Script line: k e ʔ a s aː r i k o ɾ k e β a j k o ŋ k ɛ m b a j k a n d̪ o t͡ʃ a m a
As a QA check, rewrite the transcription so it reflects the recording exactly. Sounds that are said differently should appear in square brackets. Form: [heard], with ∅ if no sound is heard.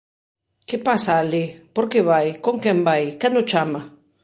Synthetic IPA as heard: k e [p] a s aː [l] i [p] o ɾ k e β a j k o ŋ k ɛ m b a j k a n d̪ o t͡ʃ a m a

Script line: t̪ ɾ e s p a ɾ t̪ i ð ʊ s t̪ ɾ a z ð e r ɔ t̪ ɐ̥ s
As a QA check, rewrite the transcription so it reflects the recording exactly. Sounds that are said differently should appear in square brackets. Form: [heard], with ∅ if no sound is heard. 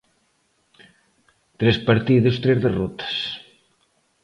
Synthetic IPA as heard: t̪ ɾ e s p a ɾ t̪ i ð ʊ s t̪ ɾ [e] z ð e r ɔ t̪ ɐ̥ s

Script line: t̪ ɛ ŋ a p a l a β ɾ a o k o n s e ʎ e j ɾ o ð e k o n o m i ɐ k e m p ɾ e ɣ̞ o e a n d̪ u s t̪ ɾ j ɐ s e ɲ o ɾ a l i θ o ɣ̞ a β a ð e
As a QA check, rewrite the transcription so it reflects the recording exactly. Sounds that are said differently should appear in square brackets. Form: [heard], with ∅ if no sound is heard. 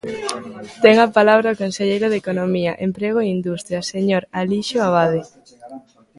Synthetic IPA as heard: t̪ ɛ ŋ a p a l a β ɾ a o k o n s e ʎ e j ɾ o ð e k o n o m i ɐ [ʔ] e m p ɾ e ɣ̞ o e [i] n d̪ u s t̪ ɾ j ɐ s e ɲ o ɾ a l i [ʃ] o [∅] a β a ð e

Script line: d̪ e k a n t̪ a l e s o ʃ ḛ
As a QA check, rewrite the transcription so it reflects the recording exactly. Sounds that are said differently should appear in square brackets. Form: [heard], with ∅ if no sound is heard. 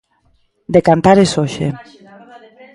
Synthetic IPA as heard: d̪ e k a n t̪ a [ɾ] e s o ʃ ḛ

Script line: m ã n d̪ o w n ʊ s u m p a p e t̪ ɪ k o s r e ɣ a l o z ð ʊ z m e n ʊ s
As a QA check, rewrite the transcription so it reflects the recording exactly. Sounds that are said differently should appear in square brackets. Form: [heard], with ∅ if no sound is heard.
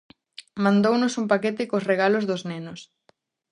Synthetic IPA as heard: m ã n d̪ o w n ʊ s u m p a [k] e t̪ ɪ k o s r e ɣ a l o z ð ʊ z [n] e n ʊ s

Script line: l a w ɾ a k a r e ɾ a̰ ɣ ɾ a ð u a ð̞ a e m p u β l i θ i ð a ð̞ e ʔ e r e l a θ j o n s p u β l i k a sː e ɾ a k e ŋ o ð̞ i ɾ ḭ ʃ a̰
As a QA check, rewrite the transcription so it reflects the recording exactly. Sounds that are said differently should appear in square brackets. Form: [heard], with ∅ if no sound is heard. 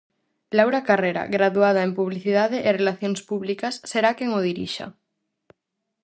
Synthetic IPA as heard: l a w ɾ a k a r e ɾ a̰ ɣ ɾ a ð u a ð̞ a e m p u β l i θ i ð a ð̞ e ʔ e r e l a θ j o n s p u β l i k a sː e ɾ a k e ŋ o ð̞ i ɾ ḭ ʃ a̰

